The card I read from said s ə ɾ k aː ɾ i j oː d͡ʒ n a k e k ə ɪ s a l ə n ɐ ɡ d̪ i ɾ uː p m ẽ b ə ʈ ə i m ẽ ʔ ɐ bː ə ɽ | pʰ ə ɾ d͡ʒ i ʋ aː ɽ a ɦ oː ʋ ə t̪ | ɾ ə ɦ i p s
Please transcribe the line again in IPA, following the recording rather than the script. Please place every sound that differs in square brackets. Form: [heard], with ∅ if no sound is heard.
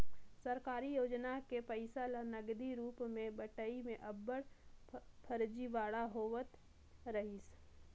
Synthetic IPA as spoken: s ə ɾ k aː ɾ i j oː d͡ʒ n a k e [p] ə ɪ s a l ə n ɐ ɡ d̪ i ɾ uː p m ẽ b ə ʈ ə i m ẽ ʔ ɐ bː ə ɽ | pʰ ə ɾ d͡ʒ i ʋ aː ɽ a ɦ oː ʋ ə t̪ | ɾ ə ɦ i [∅] s